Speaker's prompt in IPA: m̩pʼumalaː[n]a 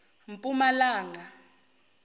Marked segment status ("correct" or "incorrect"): incorrect